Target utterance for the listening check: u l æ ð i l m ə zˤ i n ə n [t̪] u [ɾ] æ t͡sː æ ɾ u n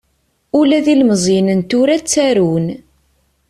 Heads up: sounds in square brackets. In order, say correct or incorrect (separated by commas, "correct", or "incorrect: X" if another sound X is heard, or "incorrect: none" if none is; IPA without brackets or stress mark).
correct, correct